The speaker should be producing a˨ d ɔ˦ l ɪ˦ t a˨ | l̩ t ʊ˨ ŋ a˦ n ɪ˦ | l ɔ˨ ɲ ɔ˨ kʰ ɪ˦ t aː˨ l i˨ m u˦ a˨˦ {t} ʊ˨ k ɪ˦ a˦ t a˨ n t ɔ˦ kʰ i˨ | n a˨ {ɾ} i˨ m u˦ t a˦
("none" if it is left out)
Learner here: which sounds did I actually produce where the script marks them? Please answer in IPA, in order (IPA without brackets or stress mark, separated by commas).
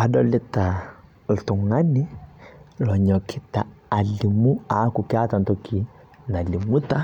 k, l